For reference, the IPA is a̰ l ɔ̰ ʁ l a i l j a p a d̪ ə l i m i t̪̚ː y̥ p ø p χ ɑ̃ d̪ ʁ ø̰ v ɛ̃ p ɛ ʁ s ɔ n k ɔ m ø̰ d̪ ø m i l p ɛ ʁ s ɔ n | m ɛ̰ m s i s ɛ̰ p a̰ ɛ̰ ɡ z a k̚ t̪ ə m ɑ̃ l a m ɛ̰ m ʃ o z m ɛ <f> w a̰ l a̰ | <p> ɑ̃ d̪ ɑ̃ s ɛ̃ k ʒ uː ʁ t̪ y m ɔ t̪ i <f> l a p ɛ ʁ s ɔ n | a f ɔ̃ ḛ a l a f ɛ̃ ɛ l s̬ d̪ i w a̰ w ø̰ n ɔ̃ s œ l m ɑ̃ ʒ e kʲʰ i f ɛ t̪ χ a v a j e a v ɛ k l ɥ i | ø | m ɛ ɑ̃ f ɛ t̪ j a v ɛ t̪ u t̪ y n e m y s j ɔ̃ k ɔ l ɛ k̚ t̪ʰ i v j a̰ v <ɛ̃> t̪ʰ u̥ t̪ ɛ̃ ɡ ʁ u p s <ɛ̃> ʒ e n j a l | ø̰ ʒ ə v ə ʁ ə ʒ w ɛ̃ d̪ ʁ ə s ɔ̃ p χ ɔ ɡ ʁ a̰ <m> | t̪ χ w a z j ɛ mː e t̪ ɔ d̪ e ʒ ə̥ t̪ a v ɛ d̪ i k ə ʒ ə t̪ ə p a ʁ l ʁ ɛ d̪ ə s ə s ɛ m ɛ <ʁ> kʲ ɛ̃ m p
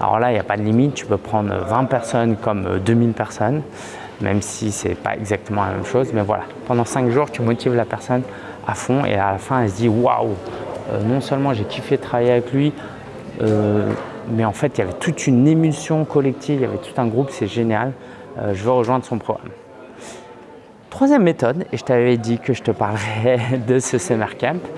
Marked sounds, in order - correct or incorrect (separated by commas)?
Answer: incorrect, correct, incorrect, incorrect, incorrect, correct, correct